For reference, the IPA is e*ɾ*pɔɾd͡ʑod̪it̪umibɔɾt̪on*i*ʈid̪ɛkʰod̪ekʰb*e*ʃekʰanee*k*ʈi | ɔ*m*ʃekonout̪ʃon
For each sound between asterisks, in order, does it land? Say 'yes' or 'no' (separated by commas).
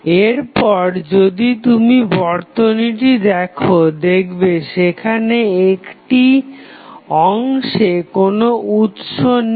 yes, yes, yes, yes, no